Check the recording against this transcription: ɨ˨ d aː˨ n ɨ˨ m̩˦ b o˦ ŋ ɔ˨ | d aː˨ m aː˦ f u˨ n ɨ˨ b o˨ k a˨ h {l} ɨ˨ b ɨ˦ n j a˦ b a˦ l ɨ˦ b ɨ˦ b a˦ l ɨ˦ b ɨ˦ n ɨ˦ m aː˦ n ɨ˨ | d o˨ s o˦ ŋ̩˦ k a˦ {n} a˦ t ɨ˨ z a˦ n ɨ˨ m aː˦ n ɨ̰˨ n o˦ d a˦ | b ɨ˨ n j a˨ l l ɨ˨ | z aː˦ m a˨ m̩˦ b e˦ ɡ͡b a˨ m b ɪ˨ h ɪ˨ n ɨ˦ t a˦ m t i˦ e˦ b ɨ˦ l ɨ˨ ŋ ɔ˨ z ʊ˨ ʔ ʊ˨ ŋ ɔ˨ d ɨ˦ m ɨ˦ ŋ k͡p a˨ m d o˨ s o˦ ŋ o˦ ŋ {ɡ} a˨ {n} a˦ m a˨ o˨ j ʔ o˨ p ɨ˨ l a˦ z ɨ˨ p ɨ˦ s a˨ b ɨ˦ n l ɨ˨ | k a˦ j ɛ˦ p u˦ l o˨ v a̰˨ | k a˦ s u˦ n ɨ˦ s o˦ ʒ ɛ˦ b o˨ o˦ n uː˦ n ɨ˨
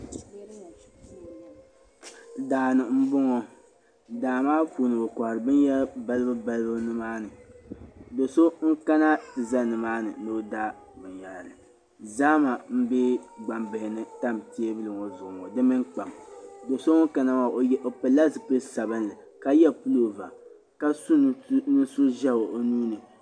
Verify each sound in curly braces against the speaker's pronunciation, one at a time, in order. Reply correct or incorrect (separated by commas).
incorrect, correct, incorrect, correct